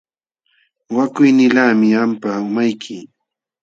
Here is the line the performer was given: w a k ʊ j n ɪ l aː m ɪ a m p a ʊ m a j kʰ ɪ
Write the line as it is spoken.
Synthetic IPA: w a k ʊ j n ɪ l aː m ɪ a m p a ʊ m a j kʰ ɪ